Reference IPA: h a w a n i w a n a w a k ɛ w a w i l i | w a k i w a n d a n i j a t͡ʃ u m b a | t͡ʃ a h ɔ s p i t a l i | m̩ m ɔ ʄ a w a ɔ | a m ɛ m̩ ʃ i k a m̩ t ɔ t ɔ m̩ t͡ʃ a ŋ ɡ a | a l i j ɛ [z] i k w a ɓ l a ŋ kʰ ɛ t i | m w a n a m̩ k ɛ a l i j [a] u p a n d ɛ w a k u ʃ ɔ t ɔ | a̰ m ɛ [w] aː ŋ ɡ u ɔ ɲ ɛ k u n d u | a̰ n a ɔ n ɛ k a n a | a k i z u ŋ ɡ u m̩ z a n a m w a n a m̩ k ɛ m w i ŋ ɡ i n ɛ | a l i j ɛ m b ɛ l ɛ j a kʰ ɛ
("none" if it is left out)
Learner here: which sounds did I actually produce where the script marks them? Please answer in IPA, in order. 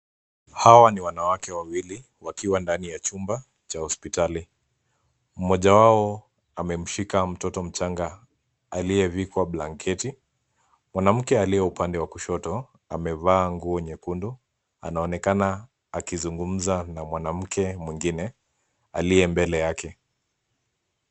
v, ɛ, v

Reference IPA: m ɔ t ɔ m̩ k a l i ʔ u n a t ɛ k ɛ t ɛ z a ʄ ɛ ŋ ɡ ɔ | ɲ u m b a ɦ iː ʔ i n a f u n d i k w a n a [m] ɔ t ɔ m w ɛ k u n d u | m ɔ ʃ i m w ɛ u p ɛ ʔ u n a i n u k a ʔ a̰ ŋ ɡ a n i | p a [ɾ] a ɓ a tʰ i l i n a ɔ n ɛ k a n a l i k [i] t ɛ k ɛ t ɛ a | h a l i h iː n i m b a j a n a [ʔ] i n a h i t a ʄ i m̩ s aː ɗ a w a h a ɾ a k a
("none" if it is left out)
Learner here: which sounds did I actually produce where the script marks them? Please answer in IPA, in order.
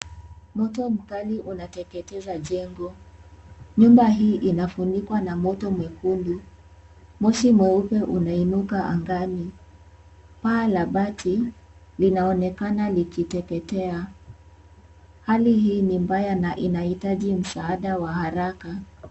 m, l, i, ʔ

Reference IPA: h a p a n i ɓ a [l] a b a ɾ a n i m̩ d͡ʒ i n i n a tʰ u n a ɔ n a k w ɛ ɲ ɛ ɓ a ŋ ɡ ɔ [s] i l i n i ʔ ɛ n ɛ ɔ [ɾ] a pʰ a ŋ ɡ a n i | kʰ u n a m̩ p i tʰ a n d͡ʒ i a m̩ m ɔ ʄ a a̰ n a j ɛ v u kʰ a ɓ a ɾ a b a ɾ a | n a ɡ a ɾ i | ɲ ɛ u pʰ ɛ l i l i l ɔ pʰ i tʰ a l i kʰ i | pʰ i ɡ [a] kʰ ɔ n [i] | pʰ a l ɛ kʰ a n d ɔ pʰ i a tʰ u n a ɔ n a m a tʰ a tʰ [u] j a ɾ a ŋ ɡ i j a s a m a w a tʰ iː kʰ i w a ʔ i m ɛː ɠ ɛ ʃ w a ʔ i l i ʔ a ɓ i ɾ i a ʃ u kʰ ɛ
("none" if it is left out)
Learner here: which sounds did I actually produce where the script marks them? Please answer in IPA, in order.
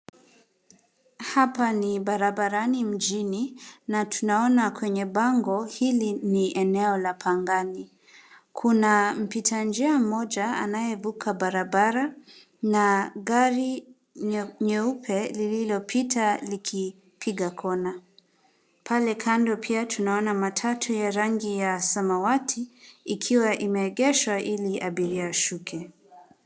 ɾ, h, l, a, a, u

